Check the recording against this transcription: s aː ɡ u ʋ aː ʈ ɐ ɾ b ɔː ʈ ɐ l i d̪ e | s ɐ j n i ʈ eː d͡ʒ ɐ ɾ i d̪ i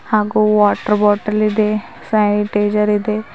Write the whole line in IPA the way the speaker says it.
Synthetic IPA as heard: h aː ɡ u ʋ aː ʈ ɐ ɾ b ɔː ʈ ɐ l i d̪ e | s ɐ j n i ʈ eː d͡ʒ ɐ ɾ i d̪ e

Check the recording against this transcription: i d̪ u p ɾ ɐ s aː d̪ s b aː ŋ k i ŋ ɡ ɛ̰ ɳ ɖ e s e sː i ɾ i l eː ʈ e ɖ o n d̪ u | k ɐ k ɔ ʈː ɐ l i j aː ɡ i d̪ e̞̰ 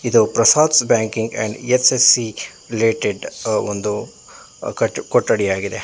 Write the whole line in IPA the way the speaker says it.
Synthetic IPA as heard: i d̪ u p ɾ ɐ s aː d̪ s b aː ŋ k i ŋ ɡ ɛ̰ ɳ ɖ e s e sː i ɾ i l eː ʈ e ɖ o n d̪ u | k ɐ k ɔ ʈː ɐ ɽ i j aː ɡ i d̪ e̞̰

